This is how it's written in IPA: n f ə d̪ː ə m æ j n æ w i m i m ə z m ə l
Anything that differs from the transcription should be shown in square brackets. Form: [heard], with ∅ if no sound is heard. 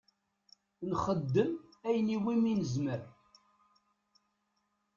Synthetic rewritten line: n [χ] ə d̪ː ə m æ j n [i] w i m i [n] ə z m ə [ɾ]

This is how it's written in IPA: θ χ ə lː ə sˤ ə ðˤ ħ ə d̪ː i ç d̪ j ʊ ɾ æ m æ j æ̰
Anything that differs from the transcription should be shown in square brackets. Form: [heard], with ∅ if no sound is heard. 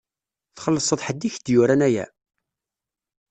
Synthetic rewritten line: θ χ ə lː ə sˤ ə ðˤ ħ ə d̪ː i ç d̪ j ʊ ɾ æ [n] æ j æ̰

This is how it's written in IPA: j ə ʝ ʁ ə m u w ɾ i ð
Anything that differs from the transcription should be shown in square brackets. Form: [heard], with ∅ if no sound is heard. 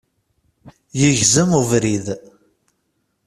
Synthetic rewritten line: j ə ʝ [z] ə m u [v] ɾ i ð

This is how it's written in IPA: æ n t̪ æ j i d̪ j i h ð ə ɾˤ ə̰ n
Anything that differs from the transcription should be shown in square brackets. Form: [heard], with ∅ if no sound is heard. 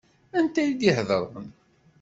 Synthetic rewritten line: æ n t̪ æ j i d̪ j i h ð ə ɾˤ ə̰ n

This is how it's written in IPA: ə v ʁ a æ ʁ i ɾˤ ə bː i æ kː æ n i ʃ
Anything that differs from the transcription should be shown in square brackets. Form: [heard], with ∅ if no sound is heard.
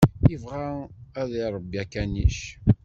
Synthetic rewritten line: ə v ʁ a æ [ð] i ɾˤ ə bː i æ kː æ n i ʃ

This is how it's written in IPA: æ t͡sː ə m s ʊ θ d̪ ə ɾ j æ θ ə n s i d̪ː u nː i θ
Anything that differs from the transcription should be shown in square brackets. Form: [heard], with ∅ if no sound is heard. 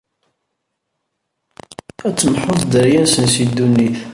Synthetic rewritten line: æ t͡sː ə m [ħ] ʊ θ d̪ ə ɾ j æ [s] ə n s i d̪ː u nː i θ

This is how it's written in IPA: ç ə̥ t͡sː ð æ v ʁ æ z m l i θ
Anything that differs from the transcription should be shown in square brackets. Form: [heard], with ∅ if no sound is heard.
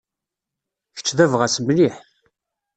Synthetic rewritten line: ç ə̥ t͡sː ð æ v ʁ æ [s] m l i [ħ]

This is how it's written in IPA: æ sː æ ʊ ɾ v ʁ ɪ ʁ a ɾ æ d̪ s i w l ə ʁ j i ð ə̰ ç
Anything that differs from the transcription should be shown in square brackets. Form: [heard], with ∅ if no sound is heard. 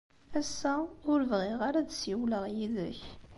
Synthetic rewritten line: æ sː æ ʊ ɾ v ʁ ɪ ʁ a ɾ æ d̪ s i w l ə ʁ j i ð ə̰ ç

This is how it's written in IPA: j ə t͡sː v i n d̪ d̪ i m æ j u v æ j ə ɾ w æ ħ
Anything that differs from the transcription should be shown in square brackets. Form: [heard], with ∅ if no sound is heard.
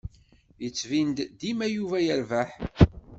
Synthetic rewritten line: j ə t͡sː v i n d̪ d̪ i m æ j u v æ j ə ɾ [v] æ ħ

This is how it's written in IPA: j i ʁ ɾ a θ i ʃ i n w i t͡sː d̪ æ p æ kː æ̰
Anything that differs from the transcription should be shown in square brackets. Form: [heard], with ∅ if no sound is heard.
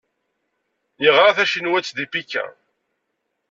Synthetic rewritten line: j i ʁ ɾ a θ [æ] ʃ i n w [æ] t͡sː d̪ [i] p [i] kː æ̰

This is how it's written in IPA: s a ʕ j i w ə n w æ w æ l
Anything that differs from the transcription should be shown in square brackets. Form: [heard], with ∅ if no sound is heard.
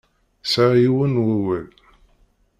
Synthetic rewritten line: s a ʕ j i w ə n w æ w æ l

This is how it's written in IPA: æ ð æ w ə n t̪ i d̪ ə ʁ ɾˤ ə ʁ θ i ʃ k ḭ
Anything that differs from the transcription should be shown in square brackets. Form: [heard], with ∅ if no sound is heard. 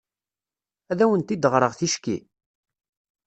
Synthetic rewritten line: æ ð æ w ə n t̪ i d̪ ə ʁ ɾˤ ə ʁ θ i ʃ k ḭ

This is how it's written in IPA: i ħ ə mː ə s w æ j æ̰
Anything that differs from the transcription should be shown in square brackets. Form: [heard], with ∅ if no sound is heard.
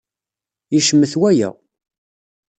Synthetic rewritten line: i [ʃ] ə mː ə [θ] w æ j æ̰

